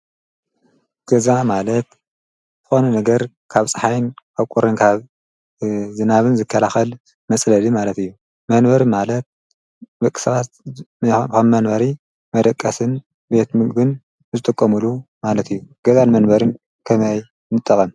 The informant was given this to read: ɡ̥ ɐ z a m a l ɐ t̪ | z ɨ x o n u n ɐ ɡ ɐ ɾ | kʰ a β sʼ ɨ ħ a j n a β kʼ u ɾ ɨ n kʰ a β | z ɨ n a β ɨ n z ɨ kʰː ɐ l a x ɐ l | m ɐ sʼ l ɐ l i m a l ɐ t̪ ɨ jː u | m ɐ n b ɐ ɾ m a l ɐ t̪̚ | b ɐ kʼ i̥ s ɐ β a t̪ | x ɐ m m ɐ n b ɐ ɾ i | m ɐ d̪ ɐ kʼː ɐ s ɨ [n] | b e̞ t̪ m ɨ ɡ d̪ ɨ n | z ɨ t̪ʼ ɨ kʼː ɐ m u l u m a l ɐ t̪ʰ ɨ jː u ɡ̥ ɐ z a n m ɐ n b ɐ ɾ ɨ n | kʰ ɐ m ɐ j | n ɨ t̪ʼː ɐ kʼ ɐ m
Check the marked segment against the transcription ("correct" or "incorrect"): correct